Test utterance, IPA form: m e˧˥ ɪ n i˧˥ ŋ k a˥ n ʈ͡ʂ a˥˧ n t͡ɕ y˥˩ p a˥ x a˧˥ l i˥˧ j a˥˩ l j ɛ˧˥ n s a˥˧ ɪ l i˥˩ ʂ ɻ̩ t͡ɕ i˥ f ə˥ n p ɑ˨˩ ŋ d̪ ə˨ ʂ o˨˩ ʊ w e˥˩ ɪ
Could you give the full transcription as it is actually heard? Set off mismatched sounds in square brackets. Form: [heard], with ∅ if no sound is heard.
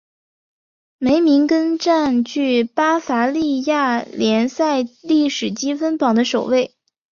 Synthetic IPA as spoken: m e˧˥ ɪ [m] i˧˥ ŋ k [ə˥] n ʈ͡ʂ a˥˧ n t͡ɕ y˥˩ p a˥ [f] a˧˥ l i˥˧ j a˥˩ l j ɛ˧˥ n s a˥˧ ɪ l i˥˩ ʂ ɻ̩ t͡ɕ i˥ f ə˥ n p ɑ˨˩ ŋ d̪ [ə˦] ʂ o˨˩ ʊ w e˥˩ ɪ